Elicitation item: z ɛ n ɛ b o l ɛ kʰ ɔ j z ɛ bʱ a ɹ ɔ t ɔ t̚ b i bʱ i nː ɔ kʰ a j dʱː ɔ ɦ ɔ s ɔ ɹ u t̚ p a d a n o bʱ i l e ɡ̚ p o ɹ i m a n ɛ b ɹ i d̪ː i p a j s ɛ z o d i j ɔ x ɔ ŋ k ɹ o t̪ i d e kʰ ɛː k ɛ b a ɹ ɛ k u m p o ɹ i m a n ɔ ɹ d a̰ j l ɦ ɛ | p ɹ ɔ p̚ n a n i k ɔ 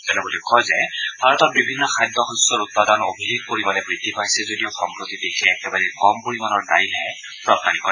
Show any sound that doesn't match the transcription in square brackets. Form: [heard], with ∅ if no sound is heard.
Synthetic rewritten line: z ɛ n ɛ b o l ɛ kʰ ɔ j z ɛ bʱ a ɹ ɔ t ɔ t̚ b i bʱ i nː ɔ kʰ a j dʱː ɔ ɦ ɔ s ɔ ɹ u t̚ p a d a n o bʱ i l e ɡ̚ p o ɹ i m a n ɛ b ɹ i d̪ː i p a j s ɛ z o d i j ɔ x ɔ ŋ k ɹ o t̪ i d e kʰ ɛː k ɛ b a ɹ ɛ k [ɔ] m p o ɹ i m a n ɔ ɹ d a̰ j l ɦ ɛ | p ɹ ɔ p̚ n a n i k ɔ